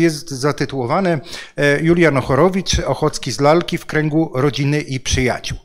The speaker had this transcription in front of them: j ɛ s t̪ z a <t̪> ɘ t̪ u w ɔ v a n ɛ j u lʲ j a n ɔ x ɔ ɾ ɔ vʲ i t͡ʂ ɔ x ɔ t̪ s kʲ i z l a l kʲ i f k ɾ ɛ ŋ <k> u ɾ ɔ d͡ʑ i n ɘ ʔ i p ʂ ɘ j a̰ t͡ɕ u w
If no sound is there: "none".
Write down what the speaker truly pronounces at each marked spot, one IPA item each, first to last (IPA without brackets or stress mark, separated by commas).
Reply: t̪, ɡ